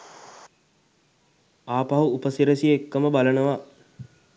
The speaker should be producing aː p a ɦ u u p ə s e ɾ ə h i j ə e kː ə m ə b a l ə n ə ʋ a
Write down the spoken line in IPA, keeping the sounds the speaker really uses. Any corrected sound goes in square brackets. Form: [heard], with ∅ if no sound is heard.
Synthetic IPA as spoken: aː p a ɦ u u p ə s [i] ɾ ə [s] i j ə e kː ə m ə b a l ə n ə ʋ a